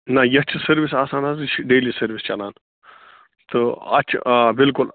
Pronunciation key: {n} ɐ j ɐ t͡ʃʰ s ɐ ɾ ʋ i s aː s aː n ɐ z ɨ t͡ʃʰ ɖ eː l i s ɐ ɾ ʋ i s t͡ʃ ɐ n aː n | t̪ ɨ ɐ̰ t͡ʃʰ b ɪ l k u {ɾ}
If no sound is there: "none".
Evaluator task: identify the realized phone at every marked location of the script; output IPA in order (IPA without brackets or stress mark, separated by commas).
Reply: n, l